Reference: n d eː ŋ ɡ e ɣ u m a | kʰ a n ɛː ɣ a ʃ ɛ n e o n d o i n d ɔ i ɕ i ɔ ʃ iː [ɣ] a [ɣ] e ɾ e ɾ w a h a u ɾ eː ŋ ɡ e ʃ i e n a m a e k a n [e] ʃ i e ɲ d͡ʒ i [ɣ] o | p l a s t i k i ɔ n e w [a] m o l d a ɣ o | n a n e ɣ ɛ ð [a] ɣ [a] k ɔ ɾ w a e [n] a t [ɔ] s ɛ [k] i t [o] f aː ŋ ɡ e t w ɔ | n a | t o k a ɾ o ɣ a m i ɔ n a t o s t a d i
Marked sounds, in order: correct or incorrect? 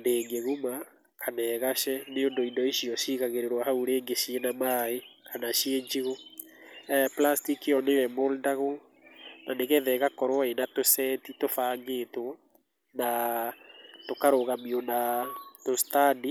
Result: correct, correct, incorrect: a, correct, incorrect: ɛ, incorrect: ɛ, correct, correct, incorrect: o, incorrect: t, correct

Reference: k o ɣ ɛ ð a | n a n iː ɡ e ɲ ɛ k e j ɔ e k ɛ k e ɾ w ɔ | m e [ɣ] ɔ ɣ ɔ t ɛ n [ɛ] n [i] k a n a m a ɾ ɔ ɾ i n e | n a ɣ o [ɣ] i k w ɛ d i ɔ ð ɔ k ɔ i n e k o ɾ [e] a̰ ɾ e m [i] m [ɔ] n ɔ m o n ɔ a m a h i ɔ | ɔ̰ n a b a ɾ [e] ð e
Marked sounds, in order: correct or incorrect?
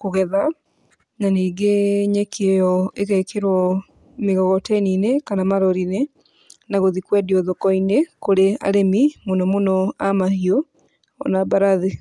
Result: correct, incorrect: i, incorrect: e, incorrect: ð, correct, correct, incorrect: o, incorrect: a

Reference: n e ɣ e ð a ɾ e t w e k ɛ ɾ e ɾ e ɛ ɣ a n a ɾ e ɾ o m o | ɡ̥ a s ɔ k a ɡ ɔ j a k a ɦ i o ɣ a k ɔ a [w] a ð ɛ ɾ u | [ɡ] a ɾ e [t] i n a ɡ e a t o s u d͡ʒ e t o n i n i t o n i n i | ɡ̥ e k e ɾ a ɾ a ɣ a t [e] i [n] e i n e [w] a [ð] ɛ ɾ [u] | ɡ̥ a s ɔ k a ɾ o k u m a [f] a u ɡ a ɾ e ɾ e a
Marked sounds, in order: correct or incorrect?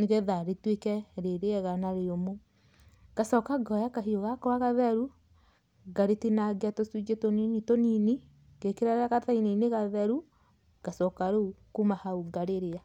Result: incorrect: ɣ, correct, correct, incorrect: a, correct, incorrect: ɣ, correct, correct, incorrect: h

